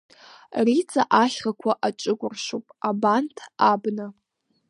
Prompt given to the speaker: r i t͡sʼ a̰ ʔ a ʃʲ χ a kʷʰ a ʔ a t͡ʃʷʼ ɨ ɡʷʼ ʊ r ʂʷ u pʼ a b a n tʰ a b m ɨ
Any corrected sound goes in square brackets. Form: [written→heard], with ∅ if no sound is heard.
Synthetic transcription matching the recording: r i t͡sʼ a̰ ʔ a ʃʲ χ a kʷʰ a ʔ a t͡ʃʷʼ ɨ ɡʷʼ ʊ r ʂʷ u pʼ a b a n tʰ a b [m→n] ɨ